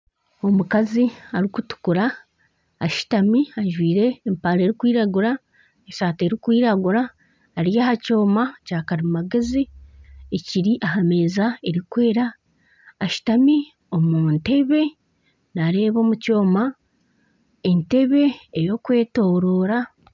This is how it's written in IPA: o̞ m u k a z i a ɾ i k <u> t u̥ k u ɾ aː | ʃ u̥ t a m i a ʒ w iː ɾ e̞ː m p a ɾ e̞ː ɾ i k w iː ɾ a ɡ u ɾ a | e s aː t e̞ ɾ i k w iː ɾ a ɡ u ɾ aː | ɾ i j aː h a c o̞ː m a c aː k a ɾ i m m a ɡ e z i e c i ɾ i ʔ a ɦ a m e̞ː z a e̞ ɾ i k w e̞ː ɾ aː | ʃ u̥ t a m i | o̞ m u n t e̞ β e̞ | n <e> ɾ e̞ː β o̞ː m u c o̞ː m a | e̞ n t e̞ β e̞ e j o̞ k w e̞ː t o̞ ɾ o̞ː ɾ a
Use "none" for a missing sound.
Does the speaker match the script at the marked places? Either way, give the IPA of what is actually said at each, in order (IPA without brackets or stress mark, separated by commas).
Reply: u, a